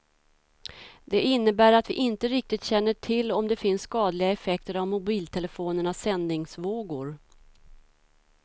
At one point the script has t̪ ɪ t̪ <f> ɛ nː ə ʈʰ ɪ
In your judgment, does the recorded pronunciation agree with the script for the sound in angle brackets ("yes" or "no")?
no